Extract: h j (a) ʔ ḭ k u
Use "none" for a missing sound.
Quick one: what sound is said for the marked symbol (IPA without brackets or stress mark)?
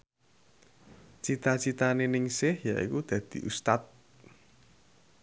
a